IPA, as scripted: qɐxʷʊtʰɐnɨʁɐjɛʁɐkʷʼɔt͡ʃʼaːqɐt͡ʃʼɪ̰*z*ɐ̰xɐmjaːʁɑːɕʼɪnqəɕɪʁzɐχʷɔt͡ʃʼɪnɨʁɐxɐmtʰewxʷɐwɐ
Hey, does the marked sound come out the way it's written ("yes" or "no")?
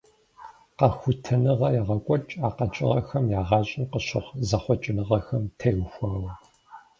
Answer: no